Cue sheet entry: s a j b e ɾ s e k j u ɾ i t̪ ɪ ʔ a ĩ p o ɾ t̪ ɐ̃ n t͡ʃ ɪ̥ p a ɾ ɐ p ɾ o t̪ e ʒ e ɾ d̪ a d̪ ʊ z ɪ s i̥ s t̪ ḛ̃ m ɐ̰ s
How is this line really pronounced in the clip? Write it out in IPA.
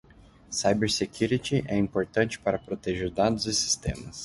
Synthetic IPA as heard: s a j b e ɾ s e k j u ɾ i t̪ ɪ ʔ ɛ ĩ p o ɾ t̪ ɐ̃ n t͡ʃ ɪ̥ p a ɾ ɐ p ɾ o t̪ e ʒ e ɾ d̪ a d̪ ʊ z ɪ s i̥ s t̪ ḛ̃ m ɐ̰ s